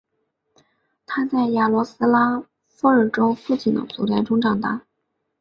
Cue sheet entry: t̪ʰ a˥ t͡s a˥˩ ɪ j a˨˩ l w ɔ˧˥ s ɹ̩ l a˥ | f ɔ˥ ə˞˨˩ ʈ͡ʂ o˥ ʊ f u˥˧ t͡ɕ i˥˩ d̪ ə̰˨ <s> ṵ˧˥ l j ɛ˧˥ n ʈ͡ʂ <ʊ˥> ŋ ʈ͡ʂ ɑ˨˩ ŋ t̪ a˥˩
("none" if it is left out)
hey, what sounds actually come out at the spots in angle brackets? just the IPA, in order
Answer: t͡s, ʊ˥

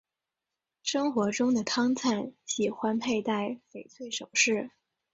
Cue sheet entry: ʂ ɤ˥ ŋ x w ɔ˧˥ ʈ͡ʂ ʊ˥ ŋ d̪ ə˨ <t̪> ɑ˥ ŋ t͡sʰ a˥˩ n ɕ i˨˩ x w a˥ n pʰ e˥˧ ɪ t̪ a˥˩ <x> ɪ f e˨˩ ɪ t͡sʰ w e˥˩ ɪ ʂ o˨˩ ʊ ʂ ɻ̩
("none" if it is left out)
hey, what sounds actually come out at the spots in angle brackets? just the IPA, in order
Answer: t̪ʰ, none

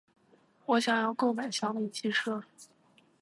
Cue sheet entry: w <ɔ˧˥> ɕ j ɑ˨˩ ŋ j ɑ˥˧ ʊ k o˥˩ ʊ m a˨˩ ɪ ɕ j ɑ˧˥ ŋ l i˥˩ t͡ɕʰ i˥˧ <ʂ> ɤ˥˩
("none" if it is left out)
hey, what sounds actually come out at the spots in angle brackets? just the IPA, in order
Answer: ɔ˧˥, ʂ

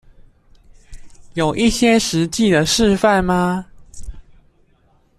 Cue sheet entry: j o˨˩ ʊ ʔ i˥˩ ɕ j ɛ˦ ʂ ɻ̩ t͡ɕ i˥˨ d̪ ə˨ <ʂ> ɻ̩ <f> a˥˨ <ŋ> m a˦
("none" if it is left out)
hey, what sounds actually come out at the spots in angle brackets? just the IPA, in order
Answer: ʂ, f, n

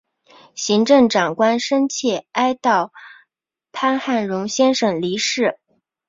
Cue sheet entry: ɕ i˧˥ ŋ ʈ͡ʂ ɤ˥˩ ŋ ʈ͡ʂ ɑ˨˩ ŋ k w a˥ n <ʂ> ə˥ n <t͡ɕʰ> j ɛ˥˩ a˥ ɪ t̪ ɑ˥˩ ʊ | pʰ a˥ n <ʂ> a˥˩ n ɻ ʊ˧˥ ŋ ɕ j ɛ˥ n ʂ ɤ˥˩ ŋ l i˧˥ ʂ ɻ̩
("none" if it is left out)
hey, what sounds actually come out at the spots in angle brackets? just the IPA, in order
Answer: ʂ, t͡ɕʰ, x

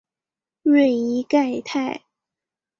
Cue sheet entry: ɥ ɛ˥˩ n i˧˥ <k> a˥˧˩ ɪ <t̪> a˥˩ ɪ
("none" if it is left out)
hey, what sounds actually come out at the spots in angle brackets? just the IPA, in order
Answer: k, t̪ʰ

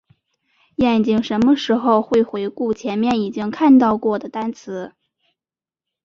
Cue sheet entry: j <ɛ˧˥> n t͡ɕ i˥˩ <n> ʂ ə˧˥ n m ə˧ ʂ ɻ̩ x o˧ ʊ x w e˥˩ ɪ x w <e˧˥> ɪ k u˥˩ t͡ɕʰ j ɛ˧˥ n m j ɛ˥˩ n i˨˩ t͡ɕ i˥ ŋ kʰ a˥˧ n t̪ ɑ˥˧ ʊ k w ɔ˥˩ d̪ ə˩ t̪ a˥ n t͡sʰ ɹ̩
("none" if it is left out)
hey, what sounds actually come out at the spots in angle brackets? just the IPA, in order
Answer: ɛ˥˩, ŋ, e˧˥

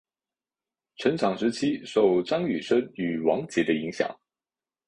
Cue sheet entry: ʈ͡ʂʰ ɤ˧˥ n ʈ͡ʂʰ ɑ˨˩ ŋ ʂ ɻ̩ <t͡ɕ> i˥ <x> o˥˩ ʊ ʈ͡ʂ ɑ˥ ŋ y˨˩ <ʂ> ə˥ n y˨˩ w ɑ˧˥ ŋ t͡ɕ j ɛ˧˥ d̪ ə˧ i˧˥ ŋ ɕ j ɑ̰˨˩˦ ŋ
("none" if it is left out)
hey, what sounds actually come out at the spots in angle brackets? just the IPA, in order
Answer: t͡ɕʰ, ʂ, ʂ

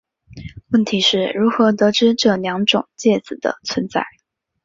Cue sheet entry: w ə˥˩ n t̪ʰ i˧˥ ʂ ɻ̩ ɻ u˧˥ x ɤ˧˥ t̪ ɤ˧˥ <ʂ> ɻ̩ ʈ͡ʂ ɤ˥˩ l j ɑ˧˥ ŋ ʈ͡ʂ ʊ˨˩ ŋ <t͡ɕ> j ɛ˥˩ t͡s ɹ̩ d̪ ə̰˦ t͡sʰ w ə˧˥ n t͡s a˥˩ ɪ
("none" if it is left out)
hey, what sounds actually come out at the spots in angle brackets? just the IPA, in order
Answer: ʈ͡ʂ, t͡ɕ

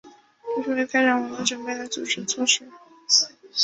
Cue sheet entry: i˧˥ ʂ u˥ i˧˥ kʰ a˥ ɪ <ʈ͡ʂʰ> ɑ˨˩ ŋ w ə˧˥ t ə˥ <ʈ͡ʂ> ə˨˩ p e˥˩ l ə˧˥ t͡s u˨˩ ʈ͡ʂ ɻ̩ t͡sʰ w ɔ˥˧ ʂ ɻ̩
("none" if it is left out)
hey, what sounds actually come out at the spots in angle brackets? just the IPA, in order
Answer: ʈ͡ʂ, ʈ͡ʂ

